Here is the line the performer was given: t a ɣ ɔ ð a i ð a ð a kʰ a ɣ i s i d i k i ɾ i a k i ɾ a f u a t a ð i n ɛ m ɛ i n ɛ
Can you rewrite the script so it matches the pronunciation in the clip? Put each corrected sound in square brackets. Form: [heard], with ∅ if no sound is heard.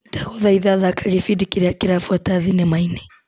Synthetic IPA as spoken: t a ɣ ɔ ð a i ð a ð a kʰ a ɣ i [f] i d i k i ɾ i a k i ɾ a f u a t a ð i n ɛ m [a] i n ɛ